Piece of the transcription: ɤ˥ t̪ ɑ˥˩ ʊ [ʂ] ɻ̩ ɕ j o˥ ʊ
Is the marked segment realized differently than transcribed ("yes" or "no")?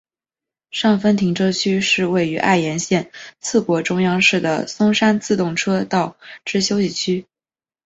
yes